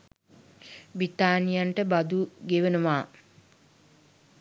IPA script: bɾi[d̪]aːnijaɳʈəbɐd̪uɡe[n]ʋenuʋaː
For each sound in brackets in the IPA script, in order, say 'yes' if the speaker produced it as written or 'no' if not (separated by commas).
no, no